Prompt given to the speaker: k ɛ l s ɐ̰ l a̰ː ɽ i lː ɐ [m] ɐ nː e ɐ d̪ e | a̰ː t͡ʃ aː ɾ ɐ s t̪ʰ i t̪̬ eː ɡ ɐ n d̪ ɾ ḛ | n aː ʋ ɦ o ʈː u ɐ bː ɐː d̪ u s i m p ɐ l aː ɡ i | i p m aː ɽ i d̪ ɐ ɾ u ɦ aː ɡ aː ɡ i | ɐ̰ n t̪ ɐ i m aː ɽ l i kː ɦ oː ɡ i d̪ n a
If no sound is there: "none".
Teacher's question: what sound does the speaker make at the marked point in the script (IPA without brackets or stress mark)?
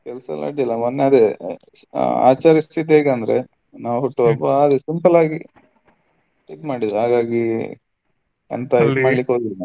m